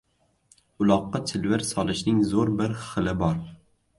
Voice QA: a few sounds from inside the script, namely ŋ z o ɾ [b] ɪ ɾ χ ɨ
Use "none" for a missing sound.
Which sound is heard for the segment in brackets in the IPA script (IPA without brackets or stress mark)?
b